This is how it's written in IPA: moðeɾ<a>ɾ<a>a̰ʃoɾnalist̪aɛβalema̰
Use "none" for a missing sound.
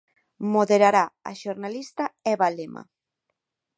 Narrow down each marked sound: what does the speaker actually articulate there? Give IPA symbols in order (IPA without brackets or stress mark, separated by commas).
a, a